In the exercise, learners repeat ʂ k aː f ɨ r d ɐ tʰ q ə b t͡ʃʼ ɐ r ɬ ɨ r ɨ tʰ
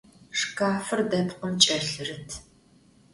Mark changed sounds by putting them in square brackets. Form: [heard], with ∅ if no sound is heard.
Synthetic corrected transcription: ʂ k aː f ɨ r d ɐ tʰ q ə [m] t͡ʃʼ ɐ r ɬ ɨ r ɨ tʰ